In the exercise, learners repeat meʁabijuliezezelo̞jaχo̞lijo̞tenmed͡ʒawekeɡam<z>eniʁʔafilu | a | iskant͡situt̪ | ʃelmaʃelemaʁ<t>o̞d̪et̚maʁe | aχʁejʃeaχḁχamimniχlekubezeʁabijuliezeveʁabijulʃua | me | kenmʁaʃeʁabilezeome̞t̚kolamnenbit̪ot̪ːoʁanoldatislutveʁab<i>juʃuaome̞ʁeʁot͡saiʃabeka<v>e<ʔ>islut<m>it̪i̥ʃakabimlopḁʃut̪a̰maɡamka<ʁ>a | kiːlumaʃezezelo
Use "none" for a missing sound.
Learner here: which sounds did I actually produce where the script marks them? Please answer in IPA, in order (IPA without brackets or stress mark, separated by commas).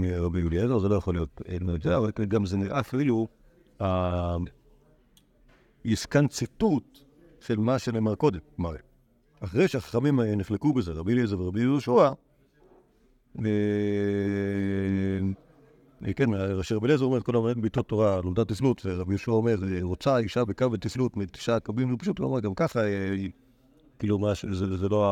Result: z, k, i, v, t, m, χ